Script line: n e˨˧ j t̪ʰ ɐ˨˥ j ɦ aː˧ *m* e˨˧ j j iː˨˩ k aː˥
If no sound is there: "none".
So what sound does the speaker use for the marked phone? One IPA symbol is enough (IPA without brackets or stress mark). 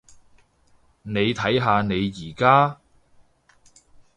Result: n